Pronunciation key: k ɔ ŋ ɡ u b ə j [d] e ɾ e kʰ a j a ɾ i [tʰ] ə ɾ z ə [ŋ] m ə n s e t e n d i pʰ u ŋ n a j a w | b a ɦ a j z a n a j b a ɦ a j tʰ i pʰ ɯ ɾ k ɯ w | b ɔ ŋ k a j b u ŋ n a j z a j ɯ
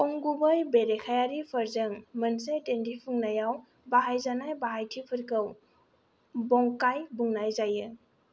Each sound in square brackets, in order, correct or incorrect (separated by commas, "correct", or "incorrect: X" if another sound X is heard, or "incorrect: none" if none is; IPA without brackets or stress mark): incorrect: b, incorrect: pʰ, correct